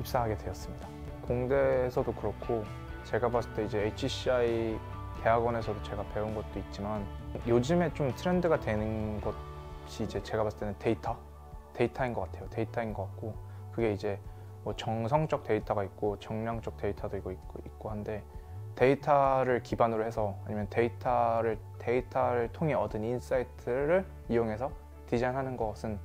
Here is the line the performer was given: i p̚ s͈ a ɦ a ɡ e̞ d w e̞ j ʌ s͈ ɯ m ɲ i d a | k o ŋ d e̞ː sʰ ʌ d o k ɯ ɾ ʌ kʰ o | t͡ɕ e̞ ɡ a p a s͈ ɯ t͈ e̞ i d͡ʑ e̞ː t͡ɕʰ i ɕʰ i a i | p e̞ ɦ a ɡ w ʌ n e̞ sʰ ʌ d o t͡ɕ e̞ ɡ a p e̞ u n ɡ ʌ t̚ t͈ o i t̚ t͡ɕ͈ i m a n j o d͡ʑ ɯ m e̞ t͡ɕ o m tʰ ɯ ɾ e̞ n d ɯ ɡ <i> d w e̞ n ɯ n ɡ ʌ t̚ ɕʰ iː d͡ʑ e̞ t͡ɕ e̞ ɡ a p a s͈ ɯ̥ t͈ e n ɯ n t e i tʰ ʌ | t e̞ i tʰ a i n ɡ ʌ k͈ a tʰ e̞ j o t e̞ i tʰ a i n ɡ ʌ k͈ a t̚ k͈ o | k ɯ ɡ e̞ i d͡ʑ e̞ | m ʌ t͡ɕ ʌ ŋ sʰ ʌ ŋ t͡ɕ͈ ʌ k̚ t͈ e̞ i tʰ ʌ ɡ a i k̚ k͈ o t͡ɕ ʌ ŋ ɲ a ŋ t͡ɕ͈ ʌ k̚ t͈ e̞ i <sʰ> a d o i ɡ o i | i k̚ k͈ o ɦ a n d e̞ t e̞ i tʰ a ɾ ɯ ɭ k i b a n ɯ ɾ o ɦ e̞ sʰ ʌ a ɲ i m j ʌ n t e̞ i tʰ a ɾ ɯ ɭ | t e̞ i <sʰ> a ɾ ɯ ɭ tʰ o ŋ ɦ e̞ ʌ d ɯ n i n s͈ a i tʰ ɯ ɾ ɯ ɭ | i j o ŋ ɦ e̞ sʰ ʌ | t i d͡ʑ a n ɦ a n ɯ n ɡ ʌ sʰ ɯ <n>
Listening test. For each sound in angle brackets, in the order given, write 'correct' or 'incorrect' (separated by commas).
incorrect, incorrect, incorrect, correct